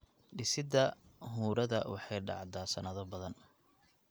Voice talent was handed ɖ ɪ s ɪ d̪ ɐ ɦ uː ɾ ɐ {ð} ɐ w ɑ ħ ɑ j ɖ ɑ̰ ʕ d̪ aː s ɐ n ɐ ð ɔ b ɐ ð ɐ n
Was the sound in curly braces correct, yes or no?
yes